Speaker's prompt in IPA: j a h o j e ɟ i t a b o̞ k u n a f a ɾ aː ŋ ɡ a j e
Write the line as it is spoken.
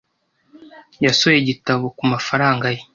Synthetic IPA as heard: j a s o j e ɟ i t a β o̞ k u m a f a ɾ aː ŋ ɡ a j e